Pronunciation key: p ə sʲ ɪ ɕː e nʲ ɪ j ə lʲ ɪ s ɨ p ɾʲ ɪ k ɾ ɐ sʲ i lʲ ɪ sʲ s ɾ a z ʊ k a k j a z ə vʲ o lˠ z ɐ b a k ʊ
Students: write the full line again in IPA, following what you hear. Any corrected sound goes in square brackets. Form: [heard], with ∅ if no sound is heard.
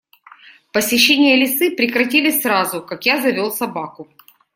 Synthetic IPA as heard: p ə sʲ ɪ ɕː e nʲ ɪ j ə lʲ ɪ s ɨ p ɾʲ ɪ k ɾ ɐ [tʲ] i lʲ ɪ sʲ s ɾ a z ʊ k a k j a z [ɐ] vʲ o lˠ [s] ɐ b a k ʊ